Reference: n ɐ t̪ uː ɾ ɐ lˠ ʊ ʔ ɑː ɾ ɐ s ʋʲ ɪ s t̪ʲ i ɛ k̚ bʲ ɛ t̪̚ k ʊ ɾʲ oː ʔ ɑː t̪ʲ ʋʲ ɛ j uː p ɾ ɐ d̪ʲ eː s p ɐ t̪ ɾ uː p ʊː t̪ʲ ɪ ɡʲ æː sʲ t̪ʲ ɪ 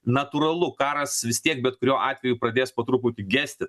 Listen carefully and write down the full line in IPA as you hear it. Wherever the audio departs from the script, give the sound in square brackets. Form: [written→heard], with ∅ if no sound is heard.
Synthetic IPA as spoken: n ɐ t̪ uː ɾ ɐ lˠ ʊ [ʔ→k] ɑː ɾ ɐ s ʋʲ ɪ s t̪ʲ i ɛ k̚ bʲ ɛ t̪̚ k ʊ ɾʲ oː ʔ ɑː t̪ʲ ʋʲ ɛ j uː p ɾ ɐ d̪ʲ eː s p ɐ t̪ ɾ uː p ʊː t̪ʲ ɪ ɡʲ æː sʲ t̪ʲ ɪ